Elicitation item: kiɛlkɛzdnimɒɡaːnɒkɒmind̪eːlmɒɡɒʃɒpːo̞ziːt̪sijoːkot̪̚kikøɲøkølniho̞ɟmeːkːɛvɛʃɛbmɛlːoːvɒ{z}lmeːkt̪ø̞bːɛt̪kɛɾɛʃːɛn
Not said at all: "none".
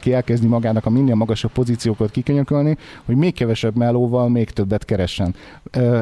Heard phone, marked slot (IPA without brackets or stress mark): none